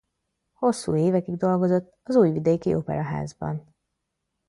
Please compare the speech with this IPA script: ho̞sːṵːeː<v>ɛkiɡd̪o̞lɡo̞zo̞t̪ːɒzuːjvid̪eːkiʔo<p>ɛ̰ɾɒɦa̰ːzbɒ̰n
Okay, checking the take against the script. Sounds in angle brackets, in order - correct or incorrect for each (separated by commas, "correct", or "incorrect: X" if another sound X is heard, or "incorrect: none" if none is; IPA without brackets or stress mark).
correct, correct